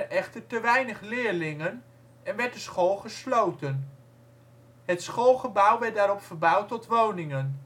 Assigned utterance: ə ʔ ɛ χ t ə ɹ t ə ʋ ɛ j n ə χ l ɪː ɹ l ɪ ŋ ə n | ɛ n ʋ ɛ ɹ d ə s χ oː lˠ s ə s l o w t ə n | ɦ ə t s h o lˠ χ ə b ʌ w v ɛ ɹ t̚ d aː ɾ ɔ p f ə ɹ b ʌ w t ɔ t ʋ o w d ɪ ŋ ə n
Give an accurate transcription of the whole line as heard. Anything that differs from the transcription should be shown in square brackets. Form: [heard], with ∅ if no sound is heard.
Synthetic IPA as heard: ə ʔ ɛ χ t ə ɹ t ə ʋ ɛ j n ə χ l ɪː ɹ l ɪ ŋ ə n | ɛ n ʋ ɛ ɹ d ə s χ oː lˠ [χ] ə s l o w t ə n | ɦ ə t s [χ] o lˠ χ ə b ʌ w [ʋ] ɛ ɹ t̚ d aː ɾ ɔ p f ə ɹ b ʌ w t ɔ t ʋ o w [n] ɪ ŋ ə n